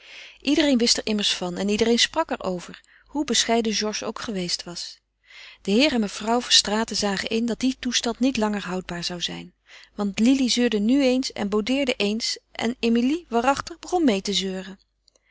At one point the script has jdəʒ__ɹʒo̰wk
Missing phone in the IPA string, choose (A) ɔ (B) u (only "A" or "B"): A